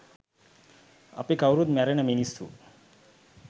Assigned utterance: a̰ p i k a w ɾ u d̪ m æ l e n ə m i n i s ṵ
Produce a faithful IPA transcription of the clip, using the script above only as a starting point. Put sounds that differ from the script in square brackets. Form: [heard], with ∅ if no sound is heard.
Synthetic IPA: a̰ p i k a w ɾ u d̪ m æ [ɾ] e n ə m i n i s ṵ